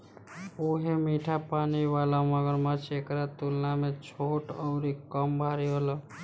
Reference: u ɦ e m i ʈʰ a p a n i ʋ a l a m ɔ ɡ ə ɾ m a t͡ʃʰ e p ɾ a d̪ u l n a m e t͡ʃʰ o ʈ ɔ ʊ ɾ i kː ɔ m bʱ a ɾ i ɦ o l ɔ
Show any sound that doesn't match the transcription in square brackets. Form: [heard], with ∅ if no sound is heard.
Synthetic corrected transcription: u ɦ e m i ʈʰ a p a n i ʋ a l a m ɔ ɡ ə ɾ m a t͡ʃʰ e [k] ɾ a [t̪] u l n a m e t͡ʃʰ o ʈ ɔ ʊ ɾ i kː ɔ m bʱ a ɾ i ɦ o l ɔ